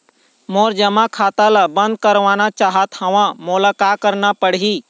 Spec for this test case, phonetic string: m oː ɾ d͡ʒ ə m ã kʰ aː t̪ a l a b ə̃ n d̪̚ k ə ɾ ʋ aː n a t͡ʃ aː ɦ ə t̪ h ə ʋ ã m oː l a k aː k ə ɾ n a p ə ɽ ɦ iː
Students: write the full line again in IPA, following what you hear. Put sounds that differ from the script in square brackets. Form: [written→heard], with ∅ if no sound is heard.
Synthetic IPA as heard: m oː ɾ d͡ʒ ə m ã kʰ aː t̪ a l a b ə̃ n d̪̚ k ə ɾ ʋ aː n a t͡ʃ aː ɦ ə t̪ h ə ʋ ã m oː l a k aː k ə ɾ n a p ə ɽ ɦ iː